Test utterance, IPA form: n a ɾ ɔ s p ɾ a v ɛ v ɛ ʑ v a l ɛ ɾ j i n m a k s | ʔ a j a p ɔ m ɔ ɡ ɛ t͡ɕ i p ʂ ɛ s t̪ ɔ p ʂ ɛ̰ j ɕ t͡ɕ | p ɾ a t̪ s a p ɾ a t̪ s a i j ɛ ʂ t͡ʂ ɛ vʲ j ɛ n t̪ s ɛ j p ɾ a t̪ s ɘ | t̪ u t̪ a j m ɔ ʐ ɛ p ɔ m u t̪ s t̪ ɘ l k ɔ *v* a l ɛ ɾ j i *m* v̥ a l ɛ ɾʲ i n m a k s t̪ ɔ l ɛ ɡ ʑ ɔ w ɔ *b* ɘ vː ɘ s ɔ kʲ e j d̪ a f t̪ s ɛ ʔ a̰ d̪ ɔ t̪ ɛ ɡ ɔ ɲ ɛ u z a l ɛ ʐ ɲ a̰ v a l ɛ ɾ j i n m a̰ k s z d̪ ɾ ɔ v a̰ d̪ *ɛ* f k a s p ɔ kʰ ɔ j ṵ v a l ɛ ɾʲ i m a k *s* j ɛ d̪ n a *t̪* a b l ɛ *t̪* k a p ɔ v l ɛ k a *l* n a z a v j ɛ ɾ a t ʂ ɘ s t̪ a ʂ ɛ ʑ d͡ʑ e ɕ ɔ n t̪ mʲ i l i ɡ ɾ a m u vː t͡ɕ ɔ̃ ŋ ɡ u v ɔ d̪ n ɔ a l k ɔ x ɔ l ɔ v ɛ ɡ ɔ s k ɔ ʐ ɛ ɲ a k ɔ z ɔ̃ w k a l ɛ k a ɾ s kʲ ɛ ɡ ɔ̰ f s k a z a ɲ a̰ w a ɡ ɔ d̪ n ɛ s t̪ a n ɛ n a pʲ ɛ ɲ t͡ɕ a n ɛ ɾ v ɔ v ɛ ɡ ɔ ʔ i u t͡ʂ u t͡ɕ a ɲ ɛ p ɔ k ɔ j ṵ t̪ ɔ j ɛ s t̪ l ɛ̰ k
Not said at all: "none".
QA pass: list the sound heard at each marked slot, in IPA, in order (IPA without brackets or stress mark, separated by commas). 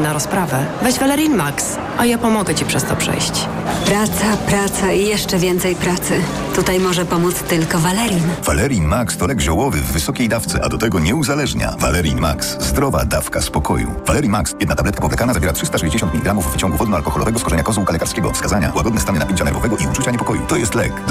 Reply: v, n, v, a, s, t̪, t̪, l